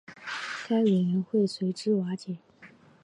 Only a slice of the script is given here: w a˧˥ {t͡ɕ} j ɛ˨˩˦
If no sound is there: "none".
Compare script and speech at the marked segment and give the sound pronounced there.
t͡ɕ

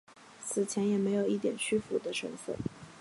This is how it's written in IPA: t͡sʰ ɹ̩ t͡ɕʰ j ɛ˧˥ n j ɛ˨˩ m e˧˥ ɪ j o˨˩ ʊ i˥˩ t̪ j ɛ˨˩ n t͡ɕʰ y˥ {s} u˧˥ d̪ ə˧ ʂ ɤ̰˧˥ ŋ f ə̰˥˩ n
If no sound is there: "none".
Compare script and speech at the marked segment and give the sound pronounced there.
f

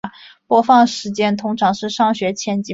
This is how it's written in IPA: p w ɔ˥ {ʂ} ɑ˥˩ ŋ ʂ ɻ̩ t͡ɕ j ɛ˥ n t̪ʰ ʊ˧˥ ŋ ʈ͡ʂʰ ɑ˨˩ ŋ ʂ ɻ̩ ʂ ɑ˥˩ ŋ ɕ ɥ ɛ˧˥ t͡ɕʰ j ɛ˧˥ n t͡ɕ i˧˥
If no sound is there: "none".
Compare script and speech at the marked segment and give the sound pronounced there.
f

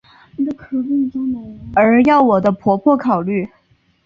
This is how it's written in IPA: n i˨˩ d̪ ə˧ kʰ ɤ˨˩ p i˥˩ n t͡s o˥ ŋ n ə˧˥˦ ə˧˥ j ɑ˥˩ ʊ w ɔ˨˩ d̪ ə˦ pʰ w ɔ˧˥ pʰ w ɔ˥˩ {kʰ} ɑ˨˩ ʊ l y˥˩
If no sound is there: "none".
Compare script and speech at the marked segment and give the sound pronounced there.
kʰ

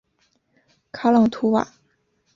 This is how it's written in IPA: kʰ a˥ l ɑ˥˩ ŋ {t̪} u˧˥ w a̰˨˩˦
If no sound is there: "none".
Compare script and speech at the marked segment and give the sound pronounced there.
t̪ʰ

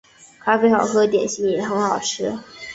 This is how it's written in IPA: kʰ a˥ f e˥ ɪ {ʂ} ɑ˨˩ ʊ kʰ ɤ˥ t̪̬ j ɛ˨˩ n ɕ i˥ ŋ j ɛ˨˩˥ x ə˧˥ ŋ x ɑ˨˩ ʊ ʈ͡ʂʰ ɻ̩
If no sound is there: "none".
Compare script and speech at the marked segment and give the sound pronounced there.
x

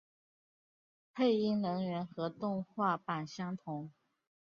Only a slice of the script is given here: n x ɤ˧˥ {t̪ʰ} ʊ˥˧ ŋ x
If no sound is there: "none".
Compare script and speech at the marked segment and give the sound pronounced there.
t̪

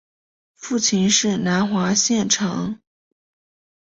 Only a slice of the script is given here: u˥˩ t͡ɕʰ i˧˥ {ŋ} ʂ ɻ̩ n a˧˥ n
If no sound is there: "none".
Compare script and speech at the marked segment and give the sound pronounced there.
n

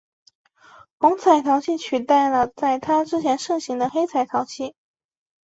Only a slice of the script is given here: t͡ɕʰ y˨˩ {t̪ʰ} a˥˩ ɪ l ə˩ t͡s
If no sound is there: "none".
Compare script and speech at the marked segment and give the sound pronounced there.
t̪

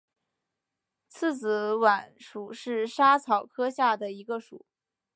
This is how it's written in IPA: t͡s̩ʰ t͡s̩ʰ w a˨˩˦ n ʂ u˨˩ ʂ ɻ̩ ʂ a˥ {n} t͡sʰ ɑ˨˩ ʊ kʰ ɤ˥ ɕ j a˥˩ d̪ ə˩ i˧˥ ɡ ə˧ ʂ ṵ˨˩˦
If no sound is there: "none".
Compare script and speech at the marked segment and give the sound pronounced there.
none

